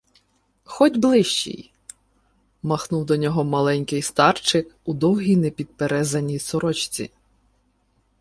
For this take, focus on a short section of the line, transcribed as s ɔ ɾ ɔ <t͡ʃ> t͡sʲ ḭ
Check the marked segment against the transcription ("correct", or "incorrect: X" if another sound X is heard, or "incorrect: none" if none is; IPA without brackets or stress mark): correct